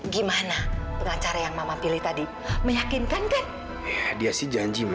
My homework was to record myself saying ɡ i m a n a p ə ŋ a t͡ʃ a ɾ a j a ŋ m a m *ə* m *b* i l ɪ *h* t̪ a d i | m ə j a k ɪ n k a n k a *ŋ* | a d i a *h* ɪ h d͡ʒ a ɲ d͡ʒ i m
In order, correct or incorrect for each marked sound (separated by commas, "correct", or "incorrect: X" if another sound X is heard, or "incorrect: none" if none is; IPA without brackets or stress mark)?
incorrect: a, incorrect: p, correct, incorrect: n, incorrect: s